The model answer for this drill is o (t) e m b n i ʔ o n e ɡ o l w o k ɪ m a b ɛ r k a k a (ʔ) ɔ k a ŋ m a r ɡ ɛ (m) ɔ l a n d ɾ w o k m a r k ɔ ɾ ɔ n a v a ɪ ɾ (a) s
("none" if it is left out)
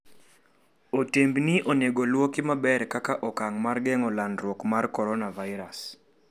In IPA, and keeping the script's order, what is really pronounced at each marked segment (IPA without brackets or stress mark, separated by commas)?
t, ʔ, ŋ, a